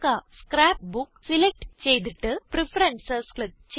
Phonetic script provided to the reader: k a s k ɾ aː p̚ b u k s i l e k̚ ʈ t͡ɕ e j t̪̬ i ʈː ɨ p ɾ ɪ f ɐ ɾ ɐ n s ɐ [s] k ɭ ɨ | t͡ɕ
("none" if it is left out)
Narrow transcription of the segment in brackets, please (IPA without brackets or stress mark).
s